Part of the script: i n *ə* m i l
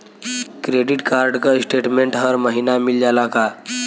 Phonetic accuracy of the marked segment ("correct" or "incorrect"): incorrect